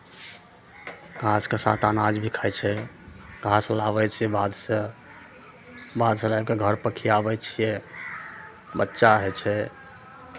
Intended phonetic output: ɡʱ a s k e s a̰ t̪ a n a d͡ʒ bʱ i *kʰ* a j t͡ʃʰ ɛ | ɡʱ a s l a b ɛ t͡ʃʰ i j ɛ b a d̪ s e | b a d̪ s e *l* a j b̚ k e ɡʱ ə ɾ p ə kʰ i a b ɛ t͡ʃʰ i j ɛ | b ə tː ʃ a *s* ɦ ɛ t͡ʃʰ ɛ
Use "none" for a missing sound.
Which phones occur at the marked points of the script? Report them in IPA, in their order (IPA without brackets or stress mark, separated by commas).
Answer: kʰ, l, none